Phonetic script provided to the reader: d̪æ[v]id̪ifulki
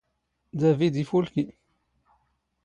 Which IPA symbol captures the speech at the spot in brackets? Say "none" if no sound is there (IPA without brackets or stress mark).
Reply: v